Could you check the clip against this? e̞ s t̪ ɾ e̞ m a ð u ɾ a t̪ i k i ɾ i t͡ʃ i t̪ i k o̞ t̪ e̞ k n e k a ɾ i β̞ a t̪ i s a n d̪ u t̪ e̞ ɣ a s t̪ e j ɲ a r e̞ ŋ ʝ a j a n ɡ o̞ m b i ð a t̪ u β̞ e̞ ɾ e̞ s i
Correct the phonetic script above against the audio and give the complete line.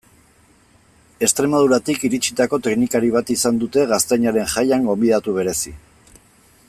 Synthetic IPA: e̞ s t̪ ɾ e̞ m a ð u ɾ a t̪ i k i ɾ i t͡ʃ i t̪ a k o̞ t̪ e̞ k n i k a ɾ i β̞ a t̪ i s a n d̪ u t̪ e̞ ɣ a s t̪ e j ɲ a ɾ e̞ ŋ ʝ a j a ŋ ɡ o̞ m b i ð a t̪ u β̞ e̞ ɾ e̞ s i